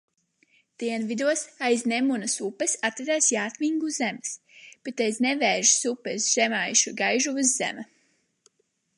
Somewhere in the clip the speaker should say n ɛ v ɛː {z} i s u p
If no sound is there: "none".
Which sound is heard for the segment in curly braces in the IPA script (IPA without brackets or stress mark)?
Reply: ʒ